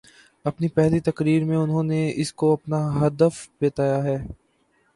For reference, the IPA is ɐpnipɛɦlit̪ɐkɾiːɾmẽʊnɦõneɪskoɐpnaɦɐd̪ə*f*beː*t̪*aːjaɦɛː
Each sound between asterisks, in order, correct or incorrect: correct, correct

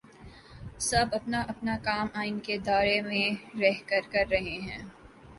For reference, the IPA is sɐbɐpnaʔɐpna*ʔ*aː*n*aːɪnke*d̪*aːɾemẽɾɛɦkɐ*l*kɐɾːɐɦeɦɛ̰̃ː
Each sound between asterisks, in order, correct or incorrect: incorrect, incorrect, correct, incorrect

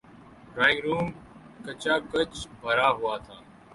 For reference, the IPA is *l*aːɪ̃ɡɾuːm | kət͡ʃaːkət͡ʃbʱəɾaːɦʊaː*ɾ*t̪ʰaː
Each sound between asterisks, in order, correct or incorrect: incorrect, incorrect

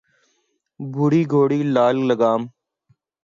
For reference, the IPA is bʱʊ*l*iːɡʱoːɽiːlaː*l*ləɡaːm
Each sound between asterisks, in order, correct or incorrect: incorrect, correct

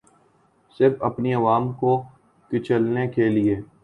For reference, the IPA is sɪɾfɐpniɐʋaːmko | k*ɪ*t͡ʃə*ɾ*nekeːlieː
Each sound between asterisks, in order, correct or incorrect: correct, incorrect

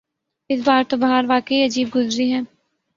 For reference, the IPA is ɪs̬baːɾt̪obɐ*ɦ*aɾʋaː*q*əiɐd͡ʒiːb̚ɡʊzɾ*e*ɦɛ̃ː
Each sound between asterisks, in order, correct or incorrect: correct, incorrect, incorrect

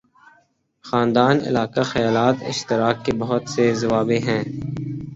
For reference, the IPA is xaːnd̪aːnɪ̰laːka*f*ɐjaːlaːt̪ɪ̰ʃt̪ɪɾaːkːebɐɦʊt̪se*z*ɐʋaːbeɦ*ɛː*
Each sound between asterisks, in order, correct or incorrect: incorrect, correct, incorrect

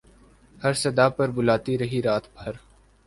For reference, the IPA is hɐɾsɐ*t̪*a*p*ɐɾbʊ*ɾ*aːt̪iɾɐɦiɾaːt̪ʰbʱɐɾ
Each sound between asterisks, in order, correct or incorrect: incorrect, correct, incorrect

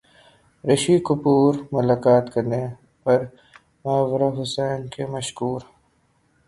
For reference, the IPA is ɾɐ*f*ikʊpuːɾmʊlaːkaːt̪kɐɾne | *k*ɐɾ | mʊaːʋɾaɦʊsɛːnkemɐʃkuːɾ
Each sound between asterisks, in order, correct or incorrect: incorrect, incorrect

